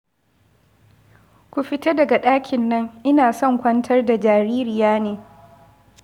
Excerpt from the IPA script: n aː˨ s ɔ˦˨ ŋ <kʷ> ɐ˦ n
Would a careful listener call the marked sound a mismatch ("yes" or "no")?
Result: no